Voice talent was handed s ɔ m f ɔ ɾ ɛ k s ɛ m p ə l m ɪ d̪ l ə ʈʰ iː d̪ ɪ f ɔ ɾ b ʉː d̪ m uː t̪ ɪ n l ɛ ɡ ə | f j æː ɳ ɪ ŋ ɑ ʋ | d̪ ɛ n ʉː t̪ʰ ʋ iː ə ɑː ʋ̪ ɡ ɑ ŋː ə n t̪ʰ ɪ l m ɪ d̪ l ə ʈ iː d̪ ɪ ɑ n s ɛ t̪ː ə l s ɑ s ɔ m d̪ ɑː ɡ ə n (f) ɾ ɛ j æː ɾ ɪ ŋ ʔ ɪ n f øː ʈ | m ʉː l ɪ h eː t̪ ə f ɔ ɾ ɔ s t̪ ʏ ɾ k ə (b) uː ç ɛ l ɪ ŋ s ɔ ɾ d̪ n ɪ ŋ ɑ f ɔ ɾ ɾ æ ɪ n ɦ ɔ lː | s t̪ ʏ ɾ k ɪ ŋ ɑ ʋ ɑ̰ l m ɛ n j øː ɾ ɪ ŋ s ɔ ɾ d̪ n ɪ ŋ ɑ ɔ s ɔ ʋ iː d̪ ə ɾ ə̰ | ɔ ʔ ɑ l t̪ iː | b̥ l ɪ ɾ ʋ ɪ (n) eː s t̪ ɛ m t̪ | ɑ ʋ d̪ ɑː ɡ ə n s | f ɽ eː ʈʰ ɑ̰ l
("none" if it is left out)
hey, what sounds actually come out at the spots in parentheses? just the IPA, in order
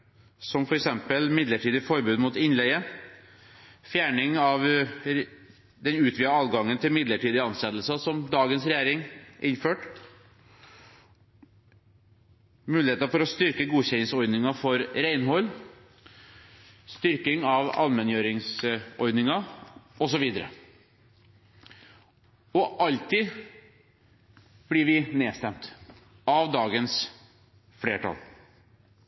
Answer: s, ɡ, n

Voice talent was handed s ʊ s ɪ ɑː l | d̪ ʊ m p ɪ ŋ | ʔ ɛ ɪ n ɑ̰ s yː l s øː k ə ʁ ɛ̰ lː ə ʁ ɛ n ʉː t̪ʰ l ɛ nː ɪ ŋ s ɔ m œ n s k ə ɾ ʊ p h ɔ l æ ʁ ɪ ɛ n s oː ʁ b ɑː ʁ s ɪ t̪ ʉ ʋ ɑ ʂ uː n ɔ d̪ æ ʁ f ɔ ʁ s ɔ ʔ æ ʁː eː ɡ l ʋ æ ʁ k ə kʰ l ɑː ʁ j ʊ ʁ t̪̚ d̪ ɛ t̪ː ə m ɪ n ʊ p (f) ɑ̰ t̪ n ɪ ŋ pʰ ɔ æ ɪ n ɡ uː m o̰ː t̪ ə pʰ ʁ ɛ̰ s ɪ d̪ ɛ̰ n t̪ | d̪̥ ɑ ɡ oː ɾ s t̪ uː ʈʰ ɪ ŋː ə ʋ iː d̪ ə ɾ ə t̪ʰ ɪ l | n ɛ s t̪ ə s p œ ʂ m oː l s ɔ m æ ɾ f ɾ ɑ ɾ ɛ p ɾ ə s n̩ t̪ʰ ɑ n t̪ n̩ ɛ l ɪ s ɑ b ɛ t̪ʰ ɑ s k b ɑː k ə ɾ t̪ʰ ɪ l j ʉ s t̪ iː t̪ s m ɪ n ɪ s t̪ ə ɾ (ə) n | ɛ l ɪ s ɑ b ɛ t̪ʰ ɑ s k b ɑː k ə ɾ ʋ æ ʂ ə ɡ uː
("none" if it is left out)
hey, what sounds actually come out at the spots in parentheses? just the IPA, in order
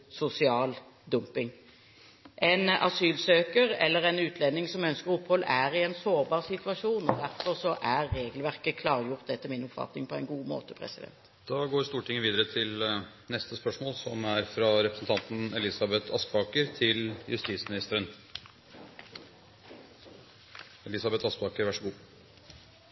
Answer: f, ə

